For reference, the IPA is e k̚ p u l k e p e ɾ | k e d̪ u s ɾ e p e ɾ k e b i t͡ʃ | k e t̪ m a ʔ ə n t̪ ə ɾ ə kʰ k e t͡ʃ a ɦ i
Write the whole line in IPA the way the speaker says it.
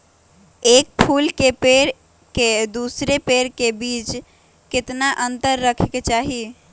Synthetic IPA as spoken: e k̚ pʰ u l k e p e ɾ | k e d̪ u s ɾ e p e ɾ k e b i t͡ʃ | k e t̪ n a ʔ ə n t̪ ə ɾː ə kʰ k e t͡ʃ a ɦ i